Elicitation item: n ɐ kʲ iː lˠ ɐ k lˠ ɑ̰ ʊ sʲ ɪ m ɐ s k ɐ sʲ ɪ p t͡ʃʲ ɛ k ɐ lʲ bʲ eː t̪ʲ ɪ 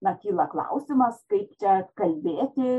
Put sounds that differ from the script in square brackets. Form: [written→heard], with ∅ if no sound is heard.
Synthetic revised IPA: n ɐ kʲ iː lˠ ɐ k lˠ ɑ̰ ʊ sʲ ɪ m ɐ s k ɐ [sʲ→∅] ɪ p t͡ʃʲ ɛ k ɐ lʲ bʲ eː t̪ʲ ɪ